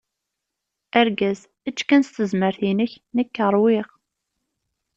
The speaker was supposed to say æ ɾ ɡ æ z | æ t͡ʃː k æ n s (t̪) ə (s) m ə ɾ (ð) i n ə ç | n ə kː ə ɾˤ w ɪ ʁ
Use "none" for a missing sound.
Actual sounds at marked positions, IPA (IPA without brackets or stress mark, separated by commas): t̪, z, θ